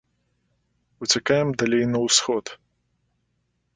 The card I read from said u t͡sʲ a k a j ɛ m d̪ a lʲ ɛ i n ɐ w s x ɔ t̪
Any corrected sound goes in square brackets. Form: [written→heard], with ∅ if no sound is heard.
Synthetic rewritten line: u t͡sʲ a k a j ɛ m d̪ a lʲ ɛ [i→j] n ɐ w s x ɔ t̪